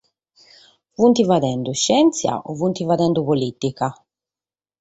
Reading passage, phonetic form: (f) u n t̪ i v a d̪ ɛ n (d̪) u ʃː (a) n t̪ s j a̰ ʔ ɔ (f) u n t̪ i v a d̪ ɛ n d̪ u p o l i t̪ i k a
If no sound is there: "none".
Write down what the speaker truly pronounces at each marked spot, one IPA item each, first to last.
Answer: v, d̪, ɛ, v

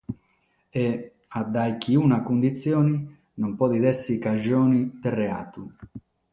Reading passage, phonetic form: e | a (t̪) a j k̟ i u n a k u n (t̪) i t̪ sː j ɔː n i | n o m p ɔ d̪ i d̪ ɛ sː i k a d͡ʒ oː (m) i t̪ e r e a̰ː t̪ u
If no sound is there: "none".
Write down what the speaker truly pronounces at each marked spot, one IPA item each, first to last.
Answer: d̪, d̪, n

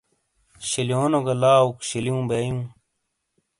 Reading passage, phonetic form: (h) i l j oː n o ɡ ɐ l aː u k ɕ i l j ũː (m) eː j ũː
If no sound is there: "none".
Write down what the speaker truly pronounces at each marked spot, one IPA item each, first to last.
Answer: ɕ, b

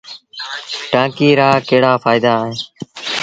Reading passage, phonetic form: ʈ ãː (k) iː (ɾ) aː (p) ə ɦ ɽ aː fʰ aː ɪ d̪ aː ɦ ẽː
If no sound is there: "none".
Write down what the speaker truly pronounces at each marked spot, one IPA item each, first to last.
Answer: k, ɾ, k

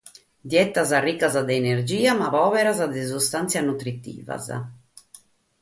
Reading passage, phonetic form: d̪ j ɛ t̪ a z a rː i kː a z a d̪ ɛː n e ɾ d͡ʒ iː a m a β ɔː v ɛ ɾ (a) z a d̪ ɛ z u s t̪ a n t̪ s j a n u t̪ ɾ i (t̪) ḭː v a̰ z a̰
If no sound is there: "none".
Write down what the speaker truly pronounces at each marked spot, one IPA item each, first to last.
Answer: a, t̪

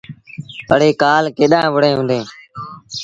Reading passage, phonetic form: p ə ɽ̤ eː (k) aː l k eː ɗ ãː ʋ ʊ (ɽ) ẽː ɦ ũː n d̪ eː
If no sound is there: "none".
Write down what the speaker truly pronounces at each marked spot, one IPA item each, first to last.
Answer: k, ɽ

